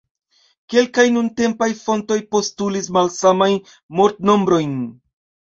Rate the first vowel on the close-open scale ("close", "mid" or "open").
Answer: mid